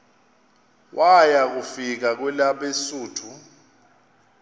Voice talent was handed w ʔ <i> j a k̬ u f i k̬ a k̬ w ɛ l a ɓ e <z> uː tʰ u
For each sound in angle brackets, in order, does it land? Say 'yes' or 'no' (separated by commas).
no, no